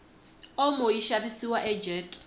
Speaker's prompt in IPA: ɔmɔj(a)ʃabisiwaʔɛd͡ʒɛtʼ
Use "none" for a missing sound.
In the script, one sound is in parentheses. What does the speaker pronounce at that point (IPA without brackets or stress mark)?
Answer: i